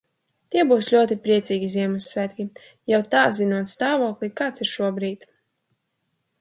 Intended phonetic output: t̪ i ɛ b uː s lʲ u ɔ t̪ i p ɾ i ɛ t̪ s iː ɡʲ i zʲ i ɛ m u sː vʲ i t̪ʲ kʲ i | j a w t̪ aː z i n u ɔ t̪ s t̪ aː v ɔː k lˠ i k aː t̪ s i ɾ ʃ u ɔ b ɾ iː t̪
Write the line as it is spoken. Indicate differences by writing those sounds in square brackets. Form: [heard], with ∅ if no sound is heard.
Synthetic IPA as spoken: t̪ i ɛ b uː s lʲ u ɔ t̪ i p ɾ i ɛ t̪ s iː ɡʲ i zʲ i ɛ m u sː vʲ [æ] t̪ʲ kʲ i | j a w t̪ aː z i n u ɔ t̪ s t̪ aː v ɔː k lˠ i k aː t̪ s i ɾ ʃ u ɔ b ɾ iː t̪